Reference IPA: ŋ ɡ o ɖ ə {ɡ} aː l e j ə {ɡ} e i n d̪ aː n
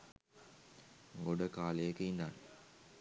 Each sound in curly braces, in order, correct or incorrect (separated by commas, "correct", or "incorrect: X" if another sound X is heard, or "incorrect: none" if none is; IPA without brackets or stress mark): incorrect: k, incorrect: k